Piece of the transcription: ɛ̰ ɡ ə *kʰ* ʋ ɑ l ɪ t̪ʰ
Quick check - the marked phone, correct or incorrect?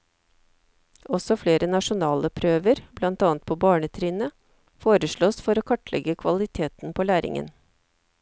correct